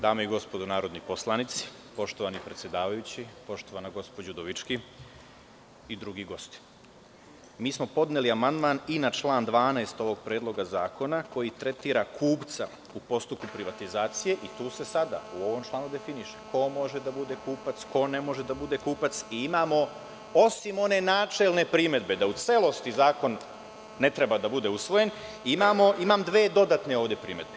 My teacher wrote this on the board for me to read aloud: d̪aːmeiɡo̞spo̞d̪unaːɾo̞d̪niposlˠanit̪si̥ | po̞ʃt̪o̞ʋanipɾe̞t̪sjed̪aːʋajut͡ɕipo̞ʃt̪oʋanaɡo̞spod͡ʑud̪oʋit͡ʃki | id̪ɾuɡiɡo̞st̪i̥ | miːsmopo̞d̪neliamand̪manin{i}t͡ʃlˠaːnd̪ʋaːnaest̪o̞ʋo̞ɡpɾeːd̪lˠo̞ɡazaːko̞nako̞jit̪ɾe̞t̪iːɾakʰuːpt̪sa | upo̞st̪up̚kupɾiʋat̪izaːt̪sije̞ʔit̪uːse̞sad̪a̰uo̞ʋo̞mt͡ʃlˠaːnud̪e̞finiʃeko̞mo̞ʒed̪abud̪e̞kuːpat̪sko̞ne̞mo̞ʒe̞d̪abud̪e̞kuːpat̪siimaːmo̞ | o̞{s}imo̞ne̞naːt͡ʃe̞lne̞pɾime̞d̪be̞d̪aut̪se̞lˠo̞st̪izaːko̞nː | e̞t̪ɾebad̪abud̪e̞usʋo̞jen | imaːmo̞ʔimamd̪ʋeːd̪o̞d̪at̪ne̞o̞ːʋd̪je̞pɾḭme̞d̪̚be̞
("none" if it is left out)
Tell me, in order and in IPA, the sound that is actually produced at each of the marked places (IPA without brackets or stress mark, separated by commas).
a, s